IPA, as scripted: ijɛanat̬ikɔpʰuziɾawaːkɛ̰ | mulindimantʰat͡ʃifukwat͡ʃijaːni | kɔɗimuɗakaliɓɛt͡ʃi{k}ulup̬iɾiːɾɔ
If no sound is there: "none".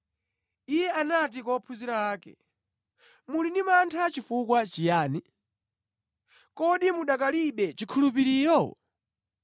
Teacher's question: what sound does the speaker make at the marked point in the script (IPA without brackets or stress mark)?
kʰ